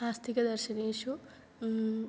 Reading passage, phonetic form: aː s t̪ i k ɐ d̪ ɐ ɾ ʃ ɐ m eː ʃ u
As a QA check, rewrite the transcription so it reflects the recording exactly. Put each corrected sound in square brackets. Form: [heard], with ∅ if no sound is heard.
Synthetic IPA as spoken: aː s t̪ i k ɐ d̪ ɐ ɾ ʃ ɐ [n] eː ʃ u